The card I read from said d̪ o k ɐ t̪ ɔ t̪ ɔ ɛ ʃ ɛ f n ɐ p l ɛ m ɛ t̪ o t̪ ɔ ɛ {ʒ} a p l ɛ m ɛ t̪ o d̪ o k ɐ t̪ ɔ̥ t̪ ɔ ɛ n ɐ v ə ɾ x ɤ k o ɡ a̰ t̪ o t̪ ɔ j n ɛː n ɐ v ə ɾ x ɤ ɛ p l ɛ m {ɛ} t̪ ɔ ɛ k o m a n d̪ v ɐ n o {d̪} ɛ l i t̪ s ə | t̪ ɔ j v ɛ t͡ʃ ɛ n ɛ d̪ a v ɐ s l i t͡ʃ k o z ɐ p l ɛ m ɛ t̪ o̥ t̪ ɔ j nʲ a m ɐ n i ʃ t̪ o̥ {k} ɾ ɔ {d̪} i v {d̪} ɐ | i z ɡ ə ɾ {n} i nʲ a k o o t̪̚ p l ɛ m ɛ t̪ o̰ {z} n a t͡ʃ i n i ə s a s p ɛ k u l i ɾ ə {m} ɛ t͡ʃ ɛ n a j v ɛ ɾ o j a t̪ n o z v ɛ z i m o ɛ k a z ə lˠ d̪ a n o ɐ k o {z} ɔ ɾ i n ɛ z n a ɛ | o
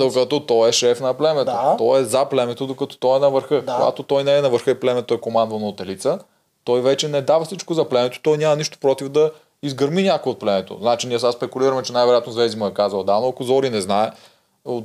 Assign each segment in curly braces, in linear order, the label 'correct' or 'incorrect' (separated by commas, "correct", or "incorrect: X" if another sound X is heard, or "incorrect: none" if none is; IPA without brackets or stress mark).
incorrect: z, correct, incorrect: t̪, incorrect: p, incorrect: t̪, correct, incorrect: m, correct, correct, correct